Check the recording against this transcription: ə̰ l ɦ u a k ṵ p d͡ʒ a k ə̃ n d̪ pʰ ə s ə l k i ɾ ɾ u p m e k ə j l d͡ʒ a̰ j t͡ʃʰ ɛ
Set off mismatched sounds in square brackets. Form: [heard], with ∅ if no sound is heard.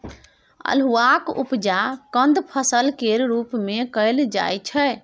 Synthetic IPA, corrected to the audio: ə̰ l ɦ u a k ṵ p d͡ʒ a k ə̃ n d̪ pʰ ə s ə l k [e] ɾ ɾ u p m e k ə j l d͡ʒ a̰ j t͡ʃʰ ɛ